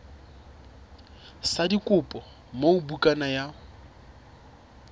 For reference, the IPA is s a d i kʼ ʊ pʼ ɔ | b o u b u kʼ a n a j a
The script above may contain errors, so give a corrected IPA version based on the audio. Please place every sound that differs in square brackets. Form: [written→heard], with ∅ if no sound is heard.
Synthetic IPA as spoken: s a d i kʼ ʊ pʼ ɔ | [b→m] o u b u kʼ a n a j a